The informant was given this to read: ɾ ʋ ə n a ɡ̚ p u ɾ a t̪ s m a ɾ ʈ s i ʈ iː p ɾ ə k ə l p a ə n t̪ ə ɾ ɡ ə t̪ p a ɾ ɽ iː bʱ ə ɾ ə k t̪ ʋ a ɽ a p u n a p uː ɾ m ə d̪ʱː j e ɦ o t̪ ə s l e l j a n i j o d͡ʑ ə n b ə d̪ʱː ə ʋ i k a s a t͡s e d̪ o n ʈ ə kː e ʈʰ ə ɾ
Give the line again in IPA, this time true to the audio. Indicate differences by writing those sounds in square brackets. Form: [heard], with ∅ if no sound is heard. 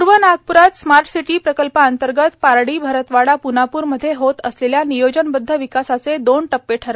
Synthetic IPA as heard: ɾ ʋ ə n a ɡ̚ p u ɾ a t̪ s m a ɾ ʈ s i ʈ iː p ɾ ə k ə l p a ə n t̪ ə ɾ ɡ ə t̪ p a ɾ ɽ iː bʱ ə ɾ ə [∅] t̪ ʋ a ɽ a p u n a p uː ɾ m ə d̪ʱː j e ɦ o t̪ ə s l e l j a n i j o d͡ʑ ə n b ə d̪ʱː ə ʋ i k a s a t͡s e d̪ o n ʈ ə [pː] e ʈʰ ə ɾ